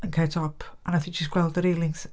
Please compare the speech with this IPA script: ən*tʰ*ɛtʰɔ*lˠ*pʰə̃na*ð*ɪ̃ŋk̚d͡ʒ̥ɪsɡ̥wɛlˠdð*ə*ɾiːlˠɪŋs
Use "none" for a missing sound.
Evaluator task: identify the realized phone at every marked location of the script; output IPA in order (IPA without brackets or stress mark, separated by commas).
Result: kʰ, none, θ, ə